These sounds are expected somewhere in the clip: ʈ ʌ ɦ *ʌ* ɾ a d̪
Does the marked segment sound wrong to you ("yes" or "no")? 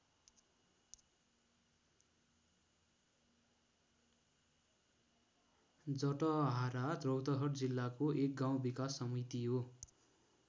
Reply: yes